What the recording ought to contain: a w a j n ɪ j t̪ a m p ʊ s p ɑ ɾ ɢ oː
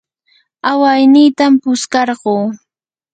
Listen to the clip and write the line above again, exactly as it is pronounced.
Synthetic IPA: a w a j n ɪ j t̪ a m p ʊ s k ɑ ɾ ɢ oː

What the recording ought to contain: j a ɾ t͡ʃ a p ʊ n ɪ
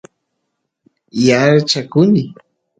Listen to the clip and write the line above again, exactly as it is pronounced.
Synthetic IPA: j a ɾ t͡ʃ a k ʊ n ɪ

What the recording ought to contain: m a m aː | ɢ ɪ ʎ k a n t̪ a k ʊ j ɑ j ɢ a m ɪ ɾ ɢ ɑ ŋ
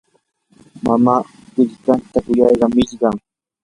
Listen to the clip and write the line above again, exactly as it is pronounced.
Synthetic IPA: m a m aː | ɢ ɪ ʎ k a n t̪ a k ʊ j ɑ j ɢ ɑ m ɪ ʎ ɢ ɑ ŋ

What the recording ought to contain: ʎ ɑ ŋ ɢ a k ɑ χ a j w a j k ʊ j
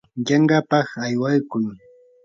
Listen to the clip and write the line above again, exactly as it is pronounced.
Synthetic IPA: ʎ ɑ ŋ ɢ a p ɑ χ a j w a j k ʊ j

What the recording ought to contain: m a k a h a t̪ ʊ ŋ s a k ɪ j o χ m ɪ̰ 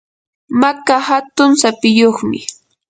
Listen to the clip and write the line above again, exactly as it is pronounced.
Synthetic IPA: m a k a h a t̪ ʊ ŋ s a p ɪ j o χ m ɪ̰

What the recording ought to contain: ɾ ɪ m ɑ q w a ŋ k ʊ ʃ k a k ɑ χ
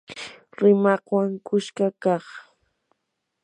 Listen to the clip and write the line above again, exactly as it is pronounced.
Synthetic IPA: ɾ ɪ m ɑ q w a ŋ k ʊ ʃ k a k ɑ χ

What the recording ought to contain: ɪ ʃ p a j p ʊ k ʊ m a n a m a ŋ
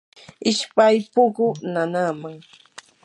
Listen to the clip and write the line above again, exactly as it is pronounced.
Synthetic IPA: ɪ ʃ p a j p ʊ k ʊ n a n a m a ŋ

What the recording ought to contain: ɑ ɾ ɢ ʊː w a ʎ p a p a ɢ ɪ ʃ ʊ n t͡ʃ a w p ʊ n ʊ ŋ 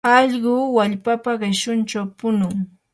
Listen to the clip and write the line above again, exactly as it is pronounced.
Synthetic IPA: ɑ ʎ ɢ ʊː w a ʎ p a p a ɢ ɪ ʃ ʊ n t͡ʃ a w p ʊ n ʊ ŋ

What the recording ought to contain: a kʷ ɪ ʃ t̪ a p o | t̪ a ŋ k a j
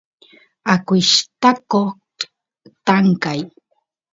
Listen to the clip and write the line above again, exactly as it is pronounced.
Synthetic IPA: a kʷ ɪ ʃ t̪ a k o | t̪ a ŋ k a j

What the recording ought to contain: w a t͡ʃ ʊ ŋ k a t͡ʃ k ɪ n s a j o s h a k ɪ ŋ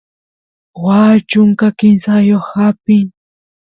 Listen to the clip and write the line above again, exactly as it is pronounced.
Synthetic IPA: w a t͡ʃ ʊ ŋ k a k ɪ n s a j o χ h a p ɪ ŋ

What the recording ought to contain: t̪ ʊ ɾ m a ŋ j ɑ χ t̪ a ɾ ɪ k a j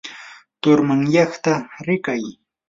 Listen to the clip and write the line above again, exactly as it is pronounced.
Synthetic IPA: t̪ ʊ ɾ m a ŋ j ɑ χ t̪ a ɾ ɪ k a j

